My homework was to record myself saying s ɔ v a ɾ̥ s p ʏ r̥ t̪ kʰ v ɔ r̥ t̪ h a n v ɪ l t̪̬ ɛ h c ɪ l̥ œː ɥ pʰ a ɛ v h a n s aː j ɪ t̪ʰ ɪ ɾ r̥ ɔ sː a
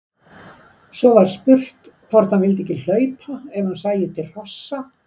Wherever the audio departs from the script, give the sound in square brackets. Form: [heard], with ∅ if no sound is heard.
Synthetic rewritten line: s ɔ v a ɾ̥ s p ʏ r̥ t̪ kʰ v ɔ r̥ t̪ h a n v ɪ l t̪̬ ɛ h c ɪ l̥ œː ɥ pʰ a ɛ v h a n s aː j ɪ t̪ʰ ɪ [l] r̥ ɔ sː a